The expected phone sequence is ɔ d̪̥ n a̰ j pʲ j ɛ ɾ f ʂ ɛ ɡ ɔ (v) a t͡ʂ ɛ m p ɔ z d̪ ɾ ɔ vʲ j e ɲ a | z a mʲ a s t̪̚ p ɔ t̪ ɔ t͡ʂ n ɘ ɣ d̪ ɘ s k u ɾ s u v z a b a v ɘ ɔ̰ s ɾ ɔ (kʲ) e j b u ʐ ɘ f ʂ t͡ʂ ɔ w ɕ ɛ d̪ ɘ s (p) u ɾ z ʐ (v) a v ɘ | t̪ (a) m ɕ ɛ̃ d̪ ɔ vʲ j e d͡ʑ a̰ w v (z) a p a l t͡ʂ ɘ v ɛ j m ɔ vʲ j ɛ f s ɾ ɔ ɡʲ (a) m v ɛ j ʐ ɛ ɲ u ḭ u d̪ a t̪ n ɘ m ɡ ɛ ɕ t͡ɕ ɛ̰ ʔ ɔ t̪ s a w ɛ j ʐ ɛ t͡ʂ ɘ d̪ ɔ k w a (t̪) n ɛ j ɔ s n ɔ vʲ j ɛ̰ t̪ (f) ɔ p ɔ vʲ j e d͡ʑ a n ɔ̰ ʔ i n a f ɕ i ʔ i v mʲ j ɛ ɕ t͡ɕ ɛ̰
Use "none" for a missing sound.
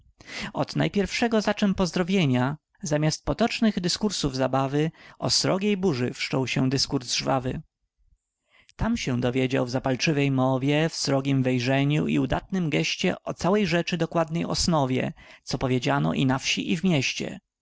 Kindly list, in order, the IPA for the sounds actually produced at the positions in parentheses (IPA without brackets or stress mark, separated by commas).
z, ɡʲ, k, v, a, z, i, d̪, s